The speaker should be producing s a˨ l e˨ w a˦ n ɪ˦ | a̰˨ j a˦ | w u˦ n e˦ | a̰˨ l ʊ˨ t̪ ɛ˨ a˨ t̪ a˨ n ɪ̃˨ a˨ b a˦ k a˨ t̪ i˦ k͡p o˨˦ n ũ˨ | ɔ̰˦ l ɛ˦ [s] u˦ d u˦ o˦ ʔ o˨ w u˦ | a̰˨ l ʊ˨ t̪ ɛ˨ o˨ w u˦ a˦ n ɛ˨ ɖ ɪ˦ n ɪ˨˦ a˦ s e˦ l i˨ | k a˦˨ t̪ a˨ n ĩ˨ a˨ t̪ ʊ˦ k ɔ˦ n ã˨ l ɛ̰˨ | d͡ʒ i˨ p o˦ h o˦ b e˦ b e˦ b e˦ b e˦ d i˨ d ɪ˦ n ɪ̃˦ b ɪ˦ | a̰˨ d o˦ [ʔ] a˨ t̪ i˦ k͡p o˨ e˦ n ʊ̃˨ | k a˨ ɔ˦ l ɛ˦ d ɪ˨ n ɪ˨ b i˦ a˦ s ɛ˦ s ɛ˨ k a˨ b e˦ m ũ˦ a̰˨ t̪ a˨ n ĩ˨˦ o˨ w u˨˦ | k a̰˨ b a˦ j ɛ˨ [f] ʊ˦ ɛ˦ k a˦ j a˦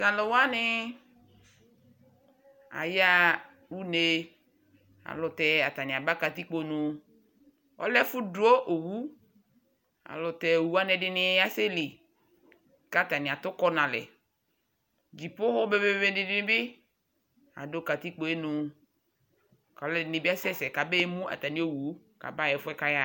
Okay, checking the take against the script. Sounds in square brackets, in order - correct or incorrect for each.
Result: incorrect: f, incorrect: k, correct

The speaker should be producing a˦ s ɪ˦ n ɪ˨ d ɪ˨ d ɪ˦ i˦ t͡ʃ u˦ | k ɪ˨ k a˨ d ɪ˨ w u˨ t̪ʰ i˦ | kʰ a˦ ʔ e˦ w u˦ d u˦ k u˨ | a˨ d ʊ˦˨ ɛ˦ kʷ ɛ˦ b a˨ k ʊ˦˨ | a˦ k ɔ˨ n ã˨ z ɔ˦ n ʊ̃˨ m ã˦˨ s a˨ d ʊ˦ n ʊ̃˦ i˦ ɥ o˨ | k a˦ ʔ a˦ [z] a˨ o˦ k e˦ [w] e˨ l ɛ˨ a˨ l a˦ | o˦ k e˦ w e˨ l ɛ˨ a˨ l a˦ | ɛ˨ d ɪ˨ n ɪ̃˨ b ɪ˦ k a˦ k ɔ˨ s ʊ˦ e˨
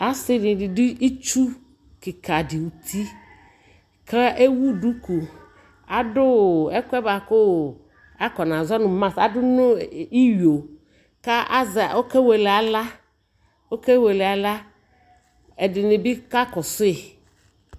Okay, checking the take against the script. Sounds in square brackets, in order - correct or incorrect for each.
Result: correct, correct

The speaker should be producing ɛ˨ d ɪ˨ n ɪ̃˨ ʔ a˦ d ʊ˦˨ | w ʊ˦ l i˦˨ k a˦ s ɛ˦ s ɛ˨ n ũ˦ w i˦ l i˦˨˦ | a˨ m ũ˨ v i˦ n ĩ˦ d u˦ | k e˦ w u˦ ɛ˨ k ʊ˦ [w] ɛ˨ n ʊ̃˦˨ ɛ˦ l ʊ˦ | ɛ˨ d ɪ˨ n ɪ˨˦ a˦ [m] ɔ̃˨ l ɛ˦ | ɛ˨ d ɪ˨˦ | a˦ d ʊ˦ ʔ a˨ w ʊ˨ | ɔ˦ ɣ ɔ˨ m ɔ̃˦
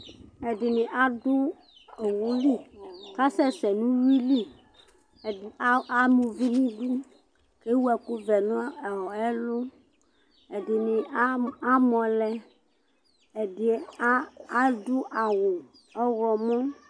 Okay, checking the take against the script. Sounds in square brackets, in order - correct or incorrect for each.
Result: incorrect: v, correct

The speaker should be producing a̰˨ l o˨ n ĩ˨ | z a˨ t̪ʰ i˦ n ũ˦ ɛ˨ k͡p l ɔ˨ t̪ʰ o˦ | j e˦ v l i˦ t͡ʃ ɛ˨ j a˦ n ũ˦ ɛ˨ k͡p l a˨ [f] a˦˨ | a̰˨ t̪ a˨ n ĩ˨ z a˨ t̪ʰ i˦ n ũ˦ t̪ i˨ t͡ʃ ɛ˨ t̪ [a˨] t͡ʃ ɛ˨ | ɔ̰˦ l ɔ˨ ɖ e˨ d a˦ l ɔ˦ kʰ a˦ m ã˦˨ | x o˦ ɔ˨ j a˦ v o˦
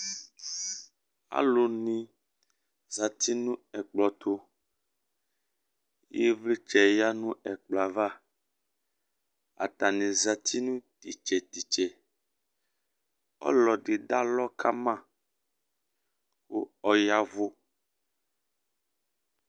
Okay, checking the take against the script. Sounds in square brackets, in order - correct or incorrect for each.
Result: incorrect: v, incorrect: i˨

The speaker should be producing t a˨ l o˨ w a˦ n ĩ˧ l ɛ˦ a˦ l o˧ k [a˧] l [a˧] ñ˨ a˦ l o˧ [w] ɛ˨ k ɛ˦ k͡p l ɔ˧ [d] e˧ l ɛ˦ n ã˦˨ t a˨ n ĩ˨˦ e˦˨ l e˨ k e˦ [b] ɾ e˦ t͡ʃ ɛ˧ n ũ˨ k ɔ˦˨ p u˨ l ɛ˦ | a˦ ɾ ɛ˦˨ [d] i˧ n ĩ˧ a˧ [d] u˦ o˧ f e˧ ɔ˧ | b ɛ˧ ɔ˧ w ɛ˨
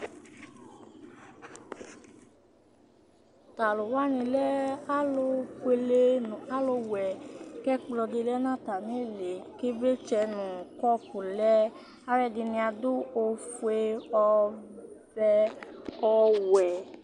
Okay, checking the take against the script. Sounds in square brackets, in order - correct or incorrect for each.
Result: incorrect: e˧, incorrect: e˧, correct, correct, correct, correct, correct

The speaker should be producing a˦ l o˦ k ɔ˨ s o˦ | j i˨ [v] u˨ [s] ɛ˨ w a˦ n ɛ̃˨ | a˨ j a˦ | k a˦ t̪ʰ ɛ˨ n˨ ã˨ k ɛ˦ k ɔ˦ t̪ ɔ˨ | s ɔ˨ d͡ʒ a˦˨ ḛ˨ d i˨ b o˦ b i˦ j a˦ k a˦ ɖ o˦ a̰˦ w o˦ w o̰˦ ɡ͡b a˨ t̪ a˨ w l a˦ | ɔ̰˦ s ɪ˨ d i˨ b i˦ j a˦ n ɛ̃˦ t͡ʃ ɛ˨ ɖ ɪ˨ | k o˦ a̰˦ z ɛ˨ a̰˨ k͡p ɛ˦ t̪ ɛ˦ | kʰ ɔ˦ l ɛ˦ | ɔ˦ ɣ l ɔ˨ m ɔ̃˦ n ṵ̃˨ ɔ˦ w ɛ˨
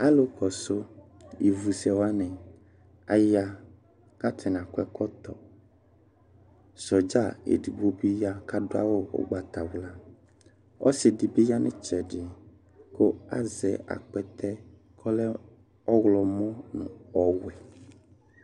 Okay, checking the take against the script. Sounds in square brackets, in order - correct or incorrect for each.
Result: correct, correct

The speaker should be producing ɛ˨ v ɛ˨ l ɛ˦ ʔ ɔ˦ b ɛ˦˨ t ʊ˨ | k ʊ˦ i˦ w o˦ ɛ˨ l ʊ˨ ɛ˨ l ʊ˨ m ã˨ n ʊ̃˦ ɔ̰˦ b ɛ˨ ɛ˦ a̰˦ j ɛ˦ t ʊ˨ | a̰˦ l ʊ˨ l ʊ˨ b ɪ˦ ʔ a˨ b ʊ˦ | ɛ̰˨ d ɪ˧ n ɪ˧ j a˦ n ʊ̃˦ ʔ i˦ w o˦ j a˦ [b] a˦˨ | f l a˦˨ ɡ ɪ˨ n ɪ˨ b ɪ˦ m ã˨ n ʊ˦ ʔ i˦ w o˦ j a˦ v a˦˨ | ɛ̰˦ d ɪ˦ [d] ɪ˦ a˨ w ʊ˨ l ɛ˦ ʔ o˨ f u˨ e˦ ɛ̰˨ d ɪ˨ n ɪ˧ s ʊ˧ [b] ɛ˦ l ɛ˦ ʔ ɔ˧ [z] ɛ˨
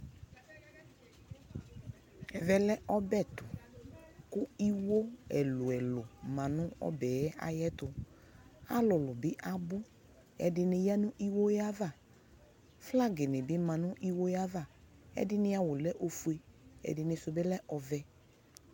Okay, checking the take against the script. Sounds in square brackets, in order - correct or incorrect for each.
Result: incorrect: v, incorrect: n, correct, incorrect: v

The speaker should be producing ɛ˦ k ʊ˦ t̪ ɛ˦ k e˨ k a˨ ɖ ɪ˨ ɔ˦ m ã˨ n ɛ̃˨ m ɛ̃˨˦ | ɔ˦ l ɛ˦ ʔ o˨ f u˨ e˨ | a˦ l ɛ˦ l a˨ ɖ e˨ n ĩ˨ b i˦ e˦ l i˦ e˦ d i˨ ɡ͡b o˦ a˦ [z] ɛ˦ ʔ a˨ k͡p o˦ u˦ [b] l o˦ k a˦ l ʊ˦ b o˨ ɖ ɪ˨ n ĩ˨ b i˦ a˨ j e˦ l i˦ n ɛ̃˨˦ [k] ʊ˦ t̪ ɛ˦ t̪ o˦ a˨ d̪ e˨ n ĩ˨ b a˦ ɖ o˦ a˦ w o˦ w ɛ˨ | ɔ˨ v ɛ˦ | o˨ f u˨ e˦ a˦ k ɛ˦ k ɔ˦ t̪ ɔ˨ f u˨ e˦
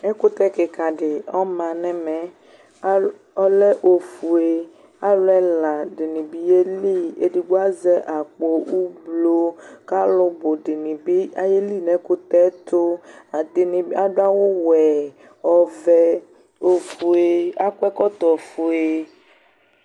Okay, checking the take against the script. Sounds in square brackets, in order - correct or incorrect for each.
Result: correct, correct, correct

